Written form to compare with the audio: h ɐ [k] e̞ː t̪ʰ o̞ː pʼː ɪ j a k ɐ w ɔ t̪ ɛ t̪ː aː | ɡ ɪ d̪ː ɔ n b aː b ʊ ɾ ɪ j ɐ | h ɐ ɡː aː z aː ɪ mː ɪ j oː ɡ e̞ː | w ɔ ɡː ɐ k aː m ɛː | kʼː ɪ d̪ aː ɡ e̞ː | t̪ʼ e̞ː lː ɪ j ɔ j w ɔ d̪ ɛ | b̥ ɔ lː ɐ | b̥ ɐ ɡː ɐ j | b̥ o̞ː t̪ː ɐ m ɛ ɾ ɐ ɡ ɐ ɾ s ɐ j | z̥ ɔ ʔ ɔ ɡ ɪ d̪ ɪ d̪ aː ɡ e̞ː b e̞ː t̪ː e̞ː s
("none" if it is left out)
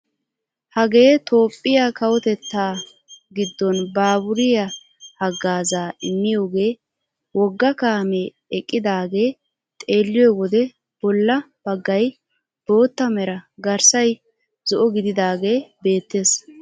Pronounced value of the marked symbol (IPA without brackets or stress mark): ɡ